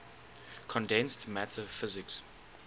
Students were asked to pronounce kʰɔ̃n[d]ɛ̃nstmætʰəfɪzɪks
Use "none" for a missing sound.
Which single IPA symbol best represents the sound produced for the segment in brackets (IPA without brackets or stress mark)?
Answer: d